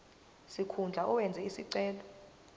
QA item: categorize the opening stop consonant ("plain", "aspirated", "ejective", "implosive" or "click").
aspirated